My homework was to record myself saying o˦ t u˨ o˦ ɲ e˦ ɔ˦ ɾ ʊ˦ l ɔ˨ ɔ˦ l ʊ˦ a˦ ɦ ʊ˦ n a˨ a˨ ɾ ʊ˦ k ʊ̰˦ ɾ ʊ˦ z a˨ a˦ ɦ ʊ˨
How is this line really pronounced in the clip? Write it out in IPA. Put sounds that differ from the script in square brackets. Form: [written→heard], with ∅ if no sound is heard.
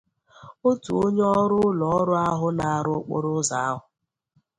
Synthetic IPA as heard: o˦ t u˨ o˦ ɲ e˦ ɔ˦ ɾ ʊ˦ l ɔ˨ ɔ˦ [l→ɾ] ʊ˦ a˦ ɦ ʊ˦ n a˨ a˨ ɾ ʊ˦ [k→k͡p] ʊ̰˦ ɾ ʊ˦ z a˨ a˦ ɦ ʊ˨